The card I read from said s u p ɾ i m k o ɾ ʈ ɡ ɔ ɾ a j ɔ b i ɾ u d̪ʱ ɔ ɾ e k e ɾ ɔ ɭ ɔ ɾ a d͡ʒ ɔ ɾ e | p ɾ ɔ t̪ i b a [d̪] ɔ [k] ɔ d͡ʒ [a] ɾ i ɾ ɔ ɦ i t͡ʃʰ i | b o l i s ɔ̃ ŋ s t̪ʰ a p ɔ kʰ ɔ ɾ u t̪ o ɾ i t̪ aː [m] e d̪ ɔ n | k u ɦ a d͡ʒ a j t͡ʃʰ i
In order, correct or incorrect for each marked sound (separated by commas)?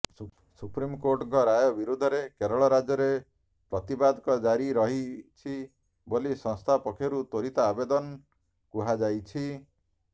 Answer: correct, correct, correct, incorrect